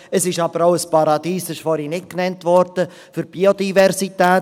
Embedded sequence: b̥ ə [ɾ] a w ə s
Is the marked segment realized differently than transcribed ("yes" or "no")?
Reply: no